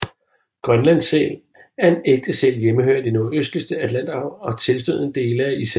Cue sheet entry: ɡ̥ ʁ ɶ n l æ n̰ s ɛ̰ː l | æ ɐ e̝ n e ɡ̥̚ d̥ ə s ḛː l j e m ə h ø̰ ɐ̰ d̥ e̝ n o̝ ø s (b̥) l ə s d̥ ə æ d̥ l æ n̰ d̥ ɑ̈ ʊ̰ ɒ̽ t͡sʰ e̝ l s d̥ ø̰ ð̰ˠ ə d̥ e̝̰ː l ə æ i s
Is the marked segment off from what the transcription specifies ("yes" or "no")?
yes